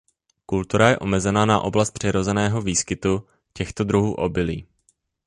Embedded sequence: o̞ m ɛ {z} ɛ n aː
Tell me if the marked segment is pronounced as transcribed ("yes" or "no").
yes